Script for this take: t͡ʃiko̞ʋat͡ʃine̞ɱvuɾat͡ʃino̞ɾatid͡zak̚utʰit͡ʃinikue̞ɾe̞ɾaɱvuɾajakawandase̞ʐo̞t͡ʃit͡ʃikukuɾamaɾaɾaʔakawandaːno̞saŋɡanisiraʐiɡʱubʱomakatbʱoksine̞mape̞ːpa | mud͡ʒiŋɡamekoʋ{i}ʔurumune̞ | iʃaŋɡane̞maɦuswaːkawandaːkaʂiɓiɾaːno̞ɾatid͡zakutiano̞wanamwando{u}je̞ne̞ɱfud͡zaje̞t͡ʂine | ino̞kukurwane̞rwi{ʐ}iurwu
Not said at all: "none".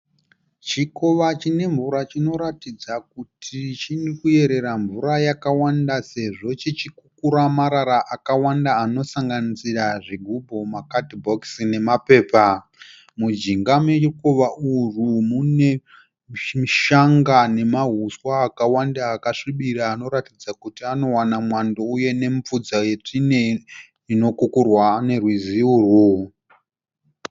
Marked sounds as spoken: a, u, z

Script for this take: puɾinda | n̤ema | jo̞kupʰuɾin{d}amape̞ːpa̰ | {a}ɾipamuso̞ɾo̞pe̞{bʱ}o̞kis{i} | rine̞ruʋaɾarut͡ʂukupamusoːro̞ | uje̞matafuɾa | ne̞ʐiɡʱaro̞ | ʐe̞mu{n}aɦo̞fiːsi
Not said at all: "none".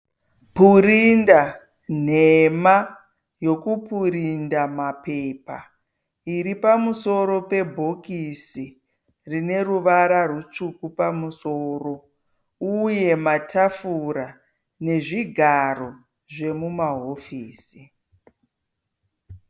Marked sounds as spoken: d, i, bʱ, i, m

